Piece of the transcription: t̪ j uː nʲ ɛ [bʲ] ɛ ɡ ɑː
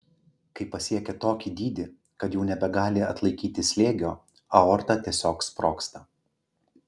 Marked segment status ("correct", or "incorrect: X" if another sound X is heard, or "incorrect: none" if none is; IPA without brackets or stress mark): correct